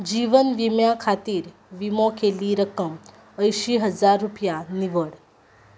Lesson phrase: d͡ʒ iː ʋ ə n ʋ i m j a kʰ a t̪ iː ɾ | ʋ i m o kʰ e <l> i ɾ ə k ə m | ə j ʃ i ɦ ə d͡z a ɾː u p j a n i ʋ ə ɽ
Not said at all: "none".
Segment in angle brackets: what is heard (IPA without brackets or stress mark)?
l